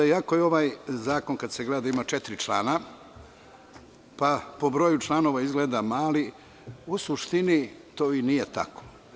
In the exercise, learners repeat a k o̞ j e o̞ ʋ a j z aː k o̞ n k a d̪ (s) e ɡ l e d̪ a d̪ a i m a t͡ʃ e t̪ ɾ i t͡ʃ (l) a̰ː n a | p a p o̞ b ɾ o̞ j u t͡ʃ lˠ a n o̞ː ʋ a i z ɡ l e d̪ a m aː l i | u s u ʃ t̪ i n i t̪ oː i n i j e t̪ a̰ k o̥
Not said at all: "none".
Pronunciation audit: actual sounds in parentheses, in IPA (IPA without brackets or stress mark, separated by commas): s, l